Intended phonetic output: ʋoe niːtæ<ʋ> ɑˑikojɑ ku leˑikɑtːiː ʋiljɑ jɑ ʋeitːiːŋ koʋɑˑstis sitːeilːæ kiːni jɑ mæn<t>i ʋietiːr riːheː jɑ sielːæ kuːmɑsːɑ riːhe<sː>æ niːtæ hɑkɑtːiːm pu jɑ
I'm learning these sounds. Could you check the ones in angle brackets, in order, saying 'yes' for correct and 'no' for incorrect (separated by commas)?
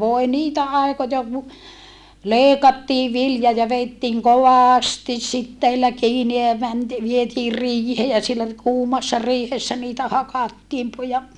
no, yes, yes